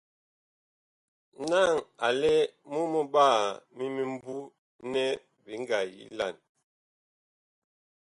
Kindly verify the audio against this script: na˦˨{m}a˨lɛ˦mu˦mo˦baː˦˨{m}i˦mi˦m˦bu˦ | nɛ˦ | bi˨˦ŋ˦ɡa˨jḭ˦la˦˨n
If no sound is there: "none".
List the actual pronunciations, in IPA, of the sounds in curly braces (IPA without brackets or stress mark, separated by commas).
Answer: ŋ, m